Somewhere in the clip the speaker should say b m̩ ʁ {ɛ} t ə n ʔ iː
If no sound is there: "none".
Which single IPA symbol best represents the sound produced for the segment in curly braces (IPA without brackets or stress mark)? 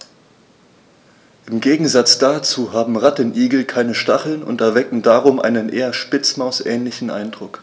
a